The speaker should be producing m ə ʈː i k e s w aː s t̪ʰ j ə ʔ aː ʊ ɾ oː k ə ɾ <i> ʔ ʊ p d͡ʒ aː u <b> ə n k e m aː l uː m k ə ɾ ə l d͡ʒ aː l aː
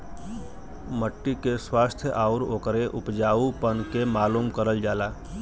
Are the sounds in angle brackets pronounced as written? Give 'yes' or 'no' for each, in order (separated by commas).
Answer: no, no